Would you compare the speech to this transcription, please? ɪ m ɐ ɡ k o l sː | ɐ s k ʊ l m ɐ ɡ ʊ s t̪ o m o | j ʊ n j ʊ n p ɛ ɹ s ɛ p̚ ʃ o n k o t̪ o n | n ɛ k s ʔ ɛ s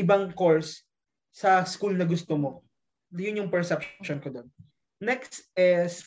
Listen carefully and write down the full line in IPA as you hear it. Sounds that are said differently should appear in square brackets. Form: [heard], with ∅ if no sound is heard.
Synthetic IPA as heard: ɪ [b] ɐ [ŋ] k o [ɹ] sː | ɐ s k [u] l [n] ɐ ɡ ʊ s t̪ o m o | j ʊ n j ʊ [ŋ] p ɛ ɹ s ɛ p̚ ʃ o n k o [d̪] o n | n ɛ k s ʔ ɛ s